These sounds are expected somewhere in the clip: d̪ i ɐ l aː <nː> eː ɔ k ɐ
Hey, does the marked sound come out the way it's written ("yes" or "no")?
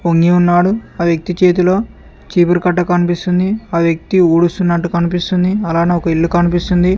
no